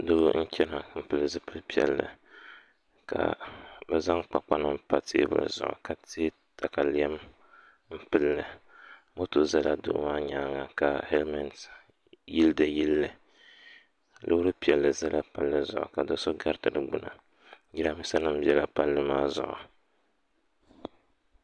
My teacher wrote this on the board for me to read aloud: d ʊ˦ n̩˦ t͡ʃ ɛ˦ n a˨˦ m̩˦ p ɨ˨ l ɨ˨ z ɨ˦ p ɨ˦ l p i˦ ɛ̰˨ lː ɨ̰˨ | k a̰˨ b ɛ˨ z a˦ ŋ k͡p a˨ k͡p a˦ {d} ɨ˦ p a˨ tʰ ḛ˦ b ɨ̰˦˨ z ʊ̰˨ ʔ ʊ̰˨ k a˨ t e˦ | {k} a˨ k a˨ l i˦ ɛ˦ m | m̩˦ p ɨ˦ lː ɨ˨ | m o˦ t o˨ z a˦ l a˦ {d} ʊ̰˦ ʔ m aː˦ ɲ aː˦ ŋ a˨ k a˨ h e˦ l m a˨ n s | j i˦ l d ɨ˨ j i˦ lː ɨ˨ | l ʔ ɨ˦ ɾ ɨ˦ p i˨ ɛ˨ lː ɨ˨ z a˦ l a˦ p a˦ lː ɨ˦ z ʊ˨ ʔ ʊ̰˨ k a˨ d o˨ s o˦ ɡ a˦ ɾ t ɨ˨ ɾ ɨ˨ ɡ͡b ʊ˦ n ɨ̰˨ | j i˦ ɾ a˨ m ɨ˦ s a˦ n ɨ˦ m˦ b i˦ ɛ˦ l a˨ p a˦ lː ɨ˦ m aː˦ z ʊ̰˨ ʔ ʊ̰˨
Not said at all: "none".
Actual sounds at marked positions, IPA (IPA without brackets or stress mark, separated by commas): n, t, d